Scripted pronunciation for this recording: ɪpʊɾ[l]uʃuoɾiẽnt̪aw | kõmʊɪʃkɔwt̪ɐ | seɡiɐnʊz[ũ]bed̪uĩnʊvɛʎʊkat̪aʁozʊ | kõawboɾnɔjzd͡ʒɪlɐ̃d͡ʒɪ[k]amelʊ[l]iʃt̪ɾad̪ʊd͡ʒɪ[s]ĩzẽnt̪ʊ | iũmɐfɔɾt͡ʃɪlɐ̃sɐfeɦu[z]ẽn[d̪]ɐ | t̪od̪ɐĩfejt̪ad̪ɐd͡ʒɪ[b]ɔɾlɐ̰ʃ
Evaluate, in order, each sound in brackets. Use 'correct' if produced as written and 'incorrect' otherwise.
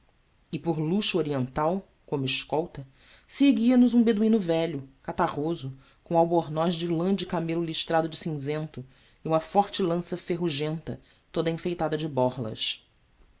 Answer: correct, correct, correct, correct, correct, incorrect: ʒ, incorrect: t̪, correct

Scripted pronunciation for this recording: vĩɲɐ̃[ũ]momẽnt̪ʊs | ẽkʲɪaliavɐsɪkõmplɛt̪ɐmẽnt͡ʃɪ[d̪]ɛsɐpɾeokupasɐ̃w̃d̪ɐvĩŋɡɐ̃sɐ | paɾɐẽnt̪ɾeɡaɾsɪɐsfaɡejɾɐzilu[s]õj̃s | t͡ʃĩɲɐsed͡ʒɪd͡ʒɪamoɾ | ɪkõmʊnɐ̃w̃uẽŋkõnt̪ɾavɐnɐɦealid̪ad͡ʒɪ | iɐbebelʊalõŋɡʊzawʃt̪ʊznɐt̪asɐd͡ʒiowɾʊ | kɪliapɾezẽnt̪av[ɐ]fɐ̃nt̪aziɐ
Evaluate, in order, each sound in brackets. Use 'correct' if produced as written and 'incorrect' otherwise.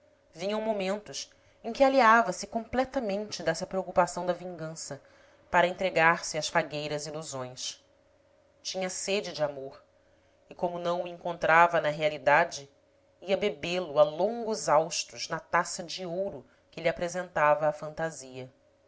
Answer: incorrect: w̃, correct, incorrect: z, incorrect: ɐː

